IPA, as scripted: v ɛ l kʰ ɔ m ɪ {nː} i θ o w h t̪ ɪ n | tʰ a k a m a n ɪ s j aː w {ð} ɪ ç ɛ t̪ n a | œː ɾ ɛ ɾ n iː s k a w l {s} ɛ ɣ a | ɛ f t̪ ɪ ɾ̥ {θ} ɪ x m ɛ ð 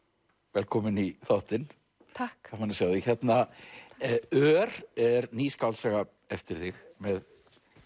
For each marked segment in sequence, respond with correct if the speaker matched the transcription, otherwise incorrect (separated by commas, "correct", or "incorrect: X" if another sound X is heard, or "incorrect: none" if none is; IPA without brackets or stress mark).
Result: incorrect: n, correct, correct, correct